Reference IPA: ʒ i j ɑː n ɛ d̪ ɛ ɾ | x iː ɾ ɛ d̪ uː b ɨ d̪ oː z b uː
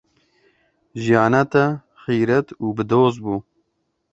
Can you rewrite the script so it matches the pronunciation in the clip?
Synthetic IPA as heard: ʒ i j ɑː n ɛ t̪ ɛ | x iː ɾ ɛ t̪ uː b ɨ d̪ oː z b uː